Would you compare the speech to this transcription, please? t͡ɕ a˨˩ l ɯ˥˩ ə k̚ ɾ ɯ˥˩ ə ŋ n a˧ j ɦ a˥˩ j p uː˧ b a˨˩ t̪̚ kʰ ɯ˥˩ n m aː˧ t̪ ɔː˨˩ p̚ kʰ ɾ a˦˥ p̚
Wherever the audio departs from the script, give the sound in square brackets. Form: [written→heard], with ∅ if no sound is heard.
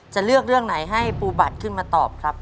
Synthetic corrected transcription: t͡ɕ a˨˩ l ɯ˥˩ ə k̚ ɾ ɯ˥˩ ə ŋ n [a˧→a˩˦] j ɦ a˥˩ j p uː˧ b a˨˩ t̪̚ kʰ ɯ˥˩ n m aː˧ t̪ ɔː˨˩ p̚ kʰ ɾ a˦˥ p̚